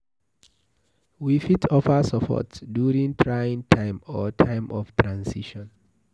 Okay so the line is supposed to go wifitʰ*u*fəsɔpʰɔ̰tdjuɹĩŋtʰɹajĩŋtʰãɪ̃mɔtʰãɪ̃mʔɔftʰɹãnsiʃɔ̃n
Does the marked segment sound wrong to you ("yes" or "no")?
yes